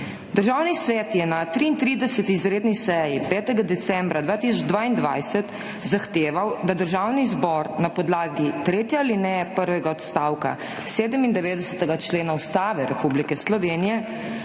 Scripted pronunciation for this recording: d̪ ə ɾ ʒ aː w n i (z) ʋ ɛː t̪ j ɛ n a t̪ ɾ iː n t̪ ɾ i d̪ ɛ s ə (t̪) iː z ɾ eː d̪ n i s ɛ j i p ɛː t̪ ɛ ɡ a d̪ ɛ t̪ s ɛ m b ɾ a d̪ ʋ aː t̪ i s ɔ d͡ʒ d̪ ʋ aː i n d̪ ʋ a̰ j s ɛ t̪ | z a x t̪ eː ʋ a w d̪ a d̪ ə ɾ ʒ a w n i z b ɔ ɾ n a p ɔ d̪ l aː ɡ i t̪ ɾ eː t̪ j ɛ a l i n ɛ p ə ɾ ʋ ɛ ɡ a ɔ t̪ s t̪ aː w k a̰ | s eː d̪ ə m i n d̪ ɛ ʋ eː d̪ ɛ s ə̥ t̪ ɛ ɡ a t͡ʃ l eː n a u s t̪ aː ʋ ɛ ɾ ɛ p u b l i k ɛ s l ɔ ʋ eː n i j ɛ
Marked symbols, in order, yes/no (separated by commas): no, yes